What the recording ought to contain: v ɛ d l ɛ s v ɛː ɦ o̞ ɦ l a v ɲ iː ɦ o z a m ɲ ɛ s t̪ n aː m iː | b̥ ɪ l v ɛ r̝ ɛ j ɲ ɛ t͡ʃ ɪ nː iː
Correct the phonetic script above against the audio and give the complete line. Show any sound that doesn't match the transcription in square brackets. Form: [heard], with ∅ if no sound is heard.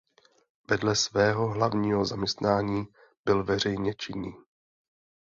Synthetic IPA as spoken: v ɛ d l ɛ s v ɛː ɦ o̞ ɦ l a v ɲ iː ɦ o z a m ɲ ɛ s t̪ n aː [ɲ] iː | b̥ ɪ l v ɛ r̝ ɛ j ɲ ɛ t͡ʃ ɪ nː iː